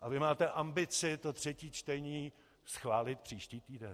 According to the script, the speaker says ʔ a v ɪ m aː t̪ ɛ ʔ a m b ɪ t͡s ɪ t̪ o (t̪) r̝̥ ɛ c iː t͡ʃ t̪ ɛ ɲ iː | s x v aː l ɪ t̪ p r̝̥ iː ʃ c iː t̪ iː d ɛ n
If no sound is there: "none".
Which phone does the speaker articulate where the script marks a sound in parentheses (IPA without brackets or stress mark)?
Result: t̪